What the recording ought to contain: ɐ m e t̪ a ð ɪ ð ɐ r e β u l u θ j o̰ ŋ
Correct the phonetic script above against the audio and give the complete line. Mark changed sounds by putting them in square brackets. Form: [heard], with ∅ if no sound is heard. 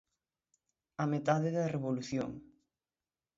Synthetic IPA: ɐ m e t̪ a ð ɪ ð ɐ r e β [o] l u θ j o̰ ŋ